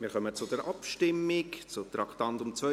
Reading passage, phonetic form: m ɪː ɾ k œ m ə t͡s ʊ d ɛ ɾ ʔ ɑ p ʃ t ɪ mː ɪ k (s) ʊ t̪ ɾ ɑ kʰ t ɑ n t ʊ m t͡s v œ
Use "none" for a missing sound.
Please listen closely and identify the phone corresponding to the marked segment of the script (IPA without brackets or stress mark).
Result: t͡s